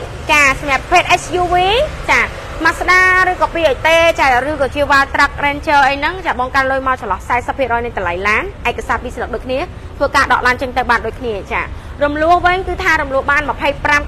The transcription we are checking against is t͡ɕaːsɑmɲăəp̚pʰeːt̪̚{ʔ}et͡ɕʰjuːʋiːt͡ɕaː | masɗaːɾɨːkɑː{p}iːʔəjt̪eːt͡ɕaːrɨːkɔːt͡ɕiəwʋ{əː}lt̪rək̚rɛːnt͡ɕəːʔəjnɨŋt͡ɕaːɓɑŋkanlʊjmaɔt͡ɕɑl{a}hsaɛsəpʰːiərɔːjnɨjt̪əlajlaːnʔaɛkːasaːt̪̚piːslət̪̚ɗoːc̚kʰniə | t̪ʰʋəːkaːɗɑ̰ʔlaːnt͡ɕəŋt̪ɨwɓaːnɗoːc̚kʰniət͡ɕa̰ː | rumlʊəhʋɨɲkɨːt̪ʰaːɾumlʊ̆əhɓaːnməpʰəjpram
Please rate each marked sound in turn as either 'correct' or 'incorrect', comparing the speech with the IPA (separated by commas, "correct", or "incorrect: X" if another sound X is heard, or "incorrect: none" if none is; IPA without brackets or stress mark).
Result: correct, correct, incorrect: aː, incorrect: ɑ